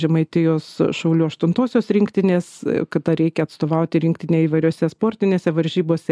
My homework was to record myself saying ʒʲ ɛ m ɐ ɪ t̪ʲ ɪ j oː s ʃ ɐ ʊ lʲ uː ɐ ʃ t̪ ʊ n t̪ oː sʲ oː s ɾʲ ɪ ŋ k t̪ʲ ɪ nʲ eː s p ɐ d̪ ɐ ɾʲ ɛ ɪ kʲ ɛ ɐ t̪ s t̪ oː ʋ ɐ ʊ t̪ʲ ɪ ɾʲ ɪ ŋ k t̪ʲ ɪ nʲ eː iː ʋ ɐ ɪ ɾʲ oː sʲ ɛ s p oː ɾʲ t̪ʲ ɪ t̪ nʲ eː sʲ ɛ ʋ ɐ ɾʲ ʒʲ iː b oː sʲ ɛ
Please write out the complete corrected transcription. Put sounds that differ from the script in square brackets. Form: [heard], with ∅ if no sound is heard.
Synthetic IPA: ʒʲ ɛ m ɐ ɪ t̪ʲ ɪ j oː s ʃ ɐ ʊ lʲ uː ɐ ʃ t̪ ʊ n t̪ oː sʲ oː s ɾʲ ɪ ŋ k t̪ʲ ɪ nʲ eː s [k] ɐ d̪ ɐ ɾʲ ɛ ɪ kʲ ɛ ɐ t̪ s t̪ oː ʋ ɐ ʊ t̪ʲ ɪ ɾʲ ɪ ŋ k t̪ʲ ɪ nʲ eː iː ʋ ɐ ɪ ɾʲ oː sʲ ɛ s p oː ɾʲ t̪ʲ ɪ [∅] nʲ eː sʲ ɛ ʋ ɐ ɾʲ ʒʲ iː b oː sʲ ɛ